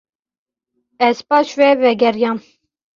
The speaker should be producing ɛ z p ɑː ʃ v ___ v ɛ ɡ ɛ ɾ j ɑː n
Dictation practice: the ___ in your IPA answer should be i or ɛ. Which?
ɛ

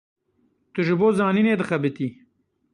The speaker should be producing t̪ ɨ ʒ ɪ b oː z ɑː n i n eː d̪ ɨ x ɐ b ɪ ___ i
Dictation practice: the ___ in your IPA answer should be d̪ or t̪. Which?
t̪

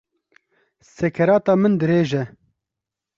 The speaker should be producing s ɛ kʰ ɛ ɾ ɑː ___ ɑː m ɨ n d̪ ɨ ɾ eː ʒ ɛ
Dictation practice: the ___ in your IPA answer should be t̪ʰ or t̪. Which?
t̪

